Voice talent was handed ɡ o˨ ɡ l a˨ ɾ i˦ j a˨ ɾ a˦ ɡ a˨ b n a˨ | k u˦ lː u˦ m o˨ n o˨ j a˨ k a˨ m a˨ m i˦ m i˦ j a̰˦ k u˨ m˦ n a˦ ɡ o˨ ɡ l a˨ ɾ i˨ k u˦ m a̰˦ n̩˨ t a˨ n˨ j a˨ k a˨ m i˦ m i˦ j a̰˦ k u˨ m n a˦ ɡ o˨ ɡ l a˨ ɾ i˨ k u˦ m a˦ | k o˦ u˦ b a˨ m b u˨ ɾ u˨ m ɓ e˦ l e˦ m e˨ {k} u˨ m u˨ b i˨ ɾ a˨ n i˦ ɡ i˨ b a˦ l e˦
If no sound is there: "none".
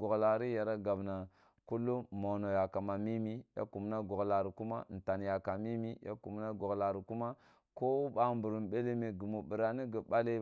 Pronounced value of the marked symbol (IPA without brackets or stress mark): ɡ